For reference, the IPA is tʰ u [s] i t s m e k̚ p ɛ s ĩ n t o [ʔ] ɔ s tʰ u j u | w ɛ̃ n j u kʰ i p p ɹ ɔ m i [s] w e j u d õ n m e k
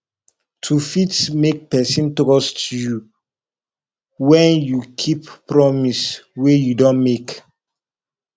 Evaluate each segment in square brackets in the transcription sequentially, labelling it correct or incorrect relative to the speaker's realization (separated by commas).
incorrect, incorrect, correct